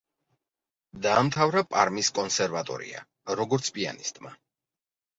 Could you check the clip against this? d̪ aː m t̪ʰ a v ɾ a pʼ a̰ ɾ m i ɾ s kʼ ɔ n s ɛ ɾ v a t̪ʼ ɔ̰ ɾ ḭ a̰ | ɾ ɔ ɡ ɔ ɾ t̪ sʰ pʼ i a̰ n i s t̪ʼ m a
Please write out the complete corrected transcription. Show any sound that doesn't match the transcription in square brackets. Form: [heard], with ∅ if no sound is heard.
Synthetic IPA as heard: d̪ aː m t̪ʰ a v ɾ a pʼ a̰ ɾ m i [∅] s kʼ ɔ n s ɛ ɾ v a t̪ʼ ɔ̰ ɾ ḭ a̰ | ɾ ɔ ɡ ɔ ɾ t̪ sʰ pʼ i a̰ n i s t̪ʼ m a

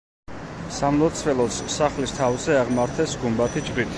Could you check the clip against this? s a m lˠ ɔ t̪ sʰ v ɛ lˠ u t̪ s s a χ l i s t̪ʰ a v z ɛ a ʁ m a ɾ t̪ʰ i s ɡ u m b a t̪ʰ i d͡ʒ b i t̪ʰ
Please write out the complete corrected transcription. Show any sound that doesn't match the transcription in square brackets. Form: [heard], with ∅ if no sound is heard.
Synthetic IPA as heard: s a m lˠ ɔ t̪ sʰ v ɛ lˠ [ɔ] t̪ s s a χ l i s t̪ʰ a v z ɛ a ʁ m a ɾ t̪ʰ [ɛ] s ɡ u m b a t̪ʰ i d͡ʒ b i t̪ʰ

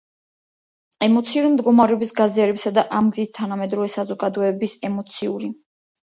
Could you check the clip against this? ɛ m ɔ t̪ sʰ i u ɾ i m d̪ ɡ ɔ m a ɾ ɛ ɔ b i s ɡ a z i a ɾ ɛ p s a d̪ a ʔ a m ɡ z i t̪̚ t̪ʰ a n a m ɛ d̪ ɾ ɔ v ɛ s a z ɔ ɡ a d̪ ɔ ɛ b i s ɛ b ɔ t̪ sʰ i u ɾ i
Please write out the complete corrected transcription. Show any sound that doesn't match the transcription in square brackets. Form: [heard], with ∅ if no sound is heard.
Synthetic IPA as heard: ɛ m ɔ t̪ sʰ i u ɾ i m d̪ ɡ ɔ m a ɾ ɛ ɔ b i s ɡ a z i a ɾ ɛ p s a d̪ a ʔ a m ɡ z i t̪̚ t̪ʰ a n a m ɛ d̪ ɾ ɔ v ɛ s a z ɔ ɡ a d̪ ɔ ɛ b i s ɛ [m] ɔ t̪ sʰ i u ɾ i

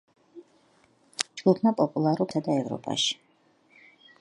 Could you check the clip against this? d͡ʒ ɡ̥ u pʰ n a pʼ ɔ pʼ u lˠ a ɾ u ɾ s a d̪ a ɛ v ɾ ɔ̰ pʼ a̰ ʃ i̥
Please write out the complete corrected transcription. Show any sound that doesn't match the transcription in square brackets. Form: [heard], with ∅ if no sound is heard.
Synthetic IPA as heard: d͡ʒ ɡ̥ u pʰ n a pʼ ɔ pʼ u lˠ a ɾ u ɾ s a d̪ a ɛ v ɾ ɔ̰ pʼ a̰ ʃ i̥

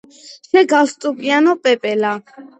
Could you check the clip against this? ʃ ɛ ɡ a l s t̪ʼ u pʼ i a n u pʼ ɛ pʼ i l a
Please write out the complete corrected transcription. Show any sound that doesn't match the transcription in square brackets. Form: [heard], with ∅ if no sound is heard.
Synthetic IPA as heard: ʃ ɛ ɡ a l s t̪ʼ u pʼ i a n [ɔ] pʼ ɛ pʼ [ɛ] l a

